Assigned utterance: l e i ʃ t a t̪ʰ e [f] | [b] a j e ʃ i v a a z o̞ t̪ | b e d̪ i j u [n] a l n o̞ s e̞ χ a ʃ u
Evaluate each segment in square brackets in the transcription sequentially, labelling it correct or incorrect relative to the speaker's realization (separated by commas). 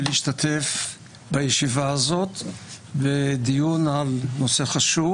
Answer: correct, correct, correct